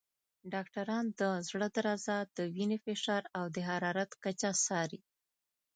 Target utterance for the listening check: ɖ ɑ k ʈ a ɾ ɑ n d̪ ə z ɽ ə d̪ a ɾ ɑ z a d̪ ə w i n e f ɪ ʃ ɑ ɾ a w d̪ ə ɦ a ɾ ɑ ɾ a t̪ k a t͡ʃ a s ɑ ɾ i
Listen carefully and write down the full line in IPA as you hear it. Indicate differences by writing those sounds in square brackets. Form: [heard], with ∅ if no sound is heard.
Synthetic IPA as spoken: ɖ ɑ k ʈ a ɾ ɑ n d̪ ə z ɽ ə d̪ a ɾ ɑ z a d̪ ə w i n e f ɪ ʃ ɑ ɾ a w d̪ ə ɦ a ɾ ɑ ɾ a t̪ k a t͡ʃ a s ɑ ɾ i